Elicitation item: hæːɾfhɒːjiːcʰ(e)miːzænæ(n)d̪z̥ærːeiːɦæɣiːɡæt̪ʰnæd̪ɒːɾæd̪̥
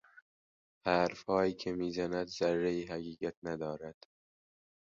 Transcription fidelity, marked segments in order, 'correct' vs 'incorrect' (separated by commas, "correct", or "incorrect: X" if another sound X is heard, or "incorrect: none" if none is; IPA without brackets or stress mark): correct, incorrect: none